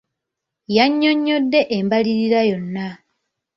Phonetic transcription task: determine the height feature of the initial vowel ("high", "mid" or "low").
low